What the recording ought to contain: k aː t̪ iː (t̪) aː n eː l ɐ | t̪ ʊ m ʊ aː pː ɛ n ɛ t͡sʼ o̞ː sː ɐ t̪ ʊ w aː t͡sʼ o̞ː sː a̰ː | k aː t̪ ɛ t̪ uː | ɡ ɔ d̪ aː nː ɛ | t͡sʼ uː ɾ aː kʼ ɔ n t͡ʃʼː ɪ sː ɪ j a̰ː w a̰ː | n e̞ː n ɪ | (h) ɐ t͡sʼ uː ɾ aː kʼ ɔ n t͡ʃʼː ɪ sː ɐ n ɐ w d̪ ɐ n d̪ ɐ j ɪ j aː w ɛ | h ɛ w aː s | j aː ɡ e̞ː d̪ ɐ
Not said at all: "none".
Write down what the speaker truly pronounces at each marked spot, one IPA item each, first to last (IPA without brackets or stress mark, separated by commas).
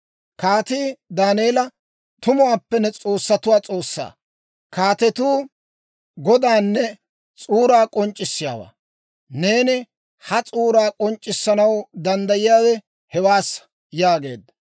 d̪, h